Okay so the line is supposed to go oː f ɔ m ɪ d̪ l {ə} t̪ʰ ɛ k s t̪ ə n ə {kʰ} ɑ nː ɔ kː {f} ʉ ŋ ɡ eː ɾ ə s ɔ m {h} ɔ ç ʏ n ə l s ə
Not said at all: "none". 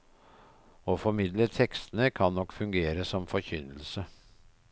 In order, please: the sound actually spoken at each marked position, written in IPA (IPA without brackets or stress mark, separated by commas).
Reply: ə, kʰ, f, f